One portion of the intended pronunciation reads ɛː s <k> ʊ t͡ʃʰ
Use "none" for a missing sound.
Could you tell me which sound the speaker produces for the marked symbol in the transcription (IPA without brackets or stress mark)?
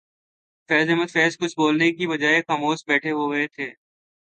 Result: k